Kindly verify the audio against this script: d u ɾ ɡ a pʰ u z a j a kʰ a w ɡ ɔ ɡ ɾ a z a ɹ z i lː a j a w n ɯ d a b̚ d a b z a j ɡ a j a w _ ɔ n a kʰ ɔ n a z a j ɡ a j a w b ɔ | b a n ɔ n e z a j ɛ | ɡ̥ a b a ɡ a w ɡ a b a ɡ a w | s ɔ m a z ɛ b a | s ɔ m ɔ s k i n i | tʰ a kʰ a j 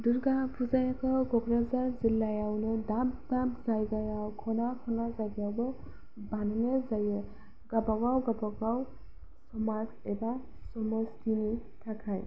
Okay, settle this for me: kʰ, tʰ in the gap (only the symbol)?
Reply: kʰ